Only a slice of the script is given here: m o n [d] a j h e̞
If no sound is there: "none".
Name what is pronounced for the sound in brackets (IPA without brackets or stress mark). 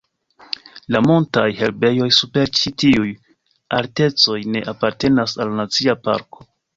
t